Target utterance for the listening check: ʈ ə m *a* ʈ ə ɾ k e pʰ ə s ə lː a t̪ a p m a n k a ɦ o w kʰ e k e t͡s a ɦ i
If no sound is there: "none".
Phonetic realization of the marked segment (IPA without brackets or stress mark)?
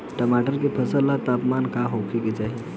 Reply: a